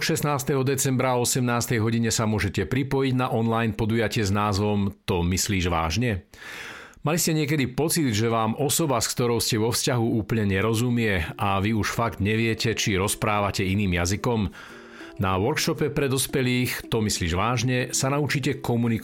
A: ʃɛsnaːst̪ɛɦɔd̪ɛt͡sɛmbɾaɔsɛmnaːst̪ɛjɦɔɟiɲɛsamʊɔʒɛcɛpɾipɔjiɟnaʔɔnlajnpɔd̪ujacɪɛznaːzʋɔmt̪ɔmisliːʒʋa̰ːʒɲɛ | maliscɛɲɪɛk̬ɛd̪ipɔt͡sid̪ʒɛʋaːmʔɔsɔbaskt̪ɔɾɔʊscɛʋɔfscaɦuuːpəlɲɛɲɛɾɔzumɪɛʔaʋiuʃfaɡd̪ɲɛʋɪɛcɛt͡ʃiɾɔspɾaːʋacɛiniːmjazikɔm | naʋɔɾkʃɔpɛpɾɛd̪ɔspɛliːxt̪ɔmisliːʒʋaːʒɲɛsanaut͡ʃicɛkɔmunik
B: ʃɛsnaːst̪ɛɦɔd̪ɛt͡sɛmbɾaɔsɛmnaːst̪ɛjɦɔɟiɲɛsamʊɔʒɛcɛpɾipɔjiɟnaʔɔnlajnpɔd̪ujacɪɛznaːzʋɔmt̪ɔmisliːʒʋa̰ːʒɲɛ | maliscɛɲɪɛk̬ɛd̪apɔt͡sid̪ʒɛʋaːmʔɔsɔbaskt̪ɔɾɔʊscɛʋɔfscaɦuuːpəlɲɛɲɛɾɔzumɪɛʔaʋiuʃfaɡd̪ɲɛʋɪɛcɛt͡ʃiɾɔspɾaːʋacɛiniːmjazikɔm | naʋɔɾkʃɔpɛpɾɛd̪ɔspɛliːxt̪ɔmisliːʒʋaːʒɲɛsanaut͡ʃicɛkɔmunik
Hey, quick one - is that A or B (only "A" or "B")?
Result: A